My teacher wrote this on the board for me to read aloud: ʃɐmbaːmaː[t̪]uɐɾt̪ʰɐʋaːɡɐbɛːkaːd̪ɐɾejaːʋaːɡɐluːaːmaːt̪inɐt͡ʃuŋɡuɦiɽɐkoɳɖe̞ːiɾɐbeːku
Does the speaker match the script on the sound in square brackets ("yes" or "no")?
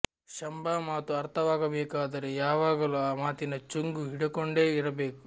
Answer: yes